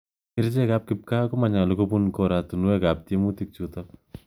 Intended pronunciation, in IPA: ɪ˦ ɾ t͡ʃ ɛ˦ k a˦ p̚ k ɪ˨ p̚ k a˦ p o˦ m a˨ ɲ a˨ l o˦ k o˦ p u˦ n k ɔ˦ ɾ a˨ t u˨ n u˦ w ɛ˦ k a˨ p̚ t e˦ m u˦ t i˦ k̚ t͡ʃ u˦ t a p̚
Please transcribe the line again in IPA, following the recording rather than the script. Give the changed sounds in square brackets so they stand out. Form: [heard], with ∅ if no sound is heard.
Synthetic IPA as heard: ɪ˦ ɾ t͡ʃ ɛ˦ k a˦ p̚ k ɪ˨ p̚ k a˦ [k] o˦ m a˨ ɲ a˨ l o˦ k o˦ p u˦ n k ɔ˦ ɾ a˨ t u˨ n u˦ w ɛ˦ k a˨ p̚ t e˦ m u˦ t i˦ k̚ t͡ʃ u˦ t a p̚